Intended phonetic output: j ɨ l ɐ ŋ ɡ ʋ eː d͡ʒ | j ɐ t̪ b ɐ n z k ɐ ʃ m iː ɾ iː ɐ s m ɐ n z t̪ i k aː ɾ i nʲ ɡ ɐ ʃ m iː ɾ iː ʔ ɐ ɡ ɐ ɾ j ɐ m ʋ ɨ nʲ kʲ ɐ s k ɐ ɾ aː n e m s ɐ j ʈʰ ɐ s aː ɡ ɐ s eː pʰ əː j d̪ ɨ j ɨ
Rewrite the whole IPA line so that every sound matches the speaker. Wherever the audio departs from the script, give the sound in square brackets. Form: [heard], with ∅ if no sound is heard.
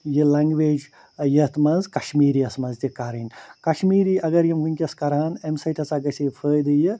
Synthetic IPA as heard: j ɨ l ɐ ŋ ɡ ʋ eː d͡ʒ | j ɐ t̪ [m] ɐ n z k ɐ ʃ m iː ɾ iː ɐ s m ɐ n z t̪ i k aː ɾ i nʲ [k] ɐ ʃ m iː ɾ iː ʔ ɐ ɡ ɐ ɾ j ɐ m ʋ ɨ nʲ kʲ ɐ s k ɐ ɾ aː n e m s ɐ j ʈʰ ɐ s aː ɡ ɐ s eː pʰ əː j d̪ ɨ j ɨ